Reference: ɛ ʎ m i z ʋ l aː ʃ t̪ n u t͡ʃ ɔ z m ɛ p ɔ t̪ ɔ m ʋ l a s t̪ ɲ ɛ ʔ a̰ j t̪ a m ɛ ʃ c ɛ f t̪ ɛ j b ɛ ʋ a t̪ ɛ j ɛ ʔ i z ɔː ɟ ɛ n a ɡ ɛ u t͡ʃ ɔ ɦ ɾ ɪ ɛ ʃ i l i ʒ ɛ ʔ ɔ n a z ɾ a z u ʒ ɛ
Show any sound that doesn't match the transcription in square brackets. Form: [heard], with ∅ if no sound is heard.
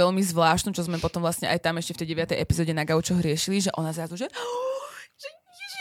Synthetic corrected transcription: ɛ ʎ m i z ʋ l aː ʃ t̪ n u t͡ʃ ɔ z m ɛ p ɔ t̪ ɔ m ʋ l a s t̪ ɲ ɛ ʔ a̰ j t̪ a m ɛ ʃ c ɛ f t̪ ɛ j [ɟ] ɛ ʋ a t̪ ɛ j ɛ [p] i z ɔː ɟ ɛ n a ɡ [a] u t͡ʃ ɔ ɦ ɾ ɪ ɛ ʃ i l i ʒ ɛ ʔ ɔ n a z ɾ a z u ʒ ɛ